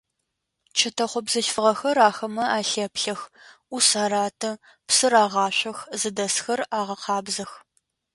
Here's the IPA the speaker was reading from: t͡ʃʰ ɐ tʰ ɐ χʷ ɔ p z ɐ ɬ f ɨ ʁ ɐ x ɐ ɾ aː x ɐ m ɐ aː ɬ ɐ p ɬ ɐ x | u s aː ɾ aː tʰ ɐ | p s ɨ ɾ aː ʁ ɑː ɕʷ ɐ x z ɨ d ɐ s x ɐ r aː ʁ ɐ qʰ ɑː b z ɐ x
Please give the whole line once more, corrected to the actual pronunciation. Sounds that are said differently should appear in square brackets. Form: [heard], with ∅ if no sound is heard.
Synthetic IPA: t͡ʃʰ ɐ tʰ ɐ χʷ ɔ [b] z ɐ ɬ f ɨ ʁ ɐ x ɐ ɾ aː x ɐ m ɐ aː ɬ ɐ p ɬ ɐ x | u s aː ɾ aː tʰ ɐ | p s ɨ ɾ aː ʁ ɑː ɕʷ ɐ x z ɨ d ɐ s x ɐ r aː ʁ ɐ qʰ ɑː b z ɐ x